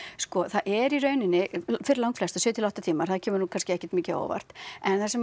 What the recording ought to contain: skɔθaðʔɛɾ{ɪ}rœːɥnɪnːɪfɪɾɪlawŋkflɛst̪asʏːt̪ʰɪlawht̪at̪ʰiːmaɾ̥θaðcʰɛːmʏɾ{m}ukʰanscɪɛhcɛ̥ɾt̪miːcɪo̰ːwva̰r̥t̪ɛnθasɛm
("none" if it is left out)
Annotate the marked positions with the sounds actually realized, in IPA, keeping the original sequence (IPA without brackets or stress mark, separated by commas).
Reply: i, n